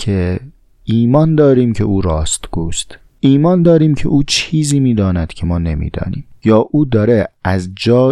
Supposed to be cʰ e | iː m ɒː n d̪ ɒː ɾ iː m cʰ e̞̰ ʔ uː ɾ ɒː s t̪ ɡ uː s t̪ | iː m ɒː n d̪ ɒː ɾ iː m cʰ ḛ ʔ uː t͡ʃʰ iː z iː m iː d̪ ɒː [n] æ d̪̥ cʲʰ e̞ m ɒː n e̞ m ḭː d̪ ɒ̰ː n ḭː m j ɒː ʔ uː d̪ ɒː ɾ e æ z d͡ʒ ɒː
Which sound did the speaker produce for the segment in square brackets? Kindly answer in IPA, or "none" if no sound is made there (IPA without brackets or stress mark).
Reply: n